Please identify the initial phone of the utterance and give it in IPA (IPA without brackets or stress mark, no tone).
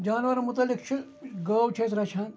d͡ʒ